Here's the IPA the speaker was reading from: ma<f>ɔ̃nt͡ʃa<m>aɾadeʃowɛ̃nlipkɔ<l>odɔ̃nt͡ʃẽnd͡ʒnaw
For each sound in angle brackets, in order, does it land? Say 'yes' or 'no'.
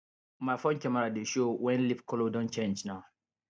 yes, yes, yes

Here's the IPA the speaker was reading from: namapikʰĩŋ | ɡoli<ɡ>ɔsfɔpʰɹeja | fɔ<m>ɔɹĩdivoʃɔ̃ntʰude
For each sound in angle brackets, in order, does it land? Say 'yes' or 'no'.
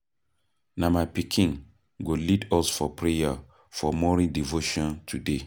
no, yes

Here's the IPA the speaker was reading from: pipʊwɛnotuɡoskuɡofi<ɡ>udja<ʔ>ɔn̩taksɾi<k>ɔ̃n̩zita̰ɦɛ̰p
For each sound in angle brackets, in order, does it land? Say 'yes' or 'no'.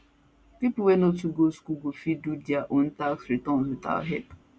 no, yes, no

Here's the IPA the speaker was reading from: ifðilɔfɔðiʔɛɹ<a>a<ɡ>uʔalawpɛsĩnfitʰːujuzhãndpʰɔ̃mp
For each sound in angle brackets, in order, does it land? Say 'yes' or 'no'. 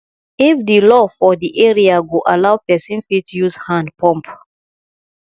no, yes

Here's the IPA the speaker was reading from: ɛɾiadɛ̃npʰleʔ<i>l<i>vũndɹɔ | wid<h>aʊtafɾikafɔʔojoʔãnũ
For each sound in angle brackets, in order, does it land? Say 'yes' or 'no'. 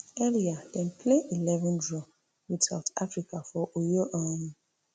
yes, no, no

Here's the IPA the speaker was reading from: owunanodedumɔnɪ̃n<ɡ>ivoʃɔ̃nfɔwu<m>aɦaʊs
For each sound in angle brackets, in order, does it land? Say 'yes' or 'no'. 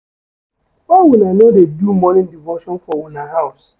no, no

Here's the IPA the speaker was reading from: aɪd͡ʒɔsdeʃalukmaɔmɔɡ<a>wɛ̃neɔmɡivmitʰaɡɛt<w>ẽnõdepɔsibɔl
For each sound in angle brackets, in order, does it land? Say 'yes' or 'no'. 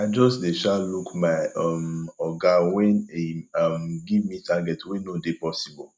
yes, yes

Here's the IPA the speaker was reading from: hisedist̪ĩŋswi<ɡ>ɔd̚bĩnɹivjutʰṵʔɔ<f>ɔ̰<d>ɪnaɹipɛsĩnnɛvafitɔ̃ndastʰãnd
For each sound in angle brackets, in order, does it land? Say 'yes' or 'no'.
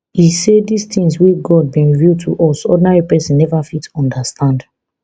yes, no, yes

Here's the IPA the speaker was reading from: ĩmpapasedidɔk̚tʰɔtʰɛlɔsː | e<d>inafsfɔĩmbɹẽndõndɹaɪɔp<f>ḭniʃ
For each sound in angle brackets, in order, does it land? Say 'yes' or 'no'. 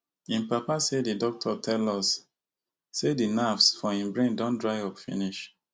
yes, yes

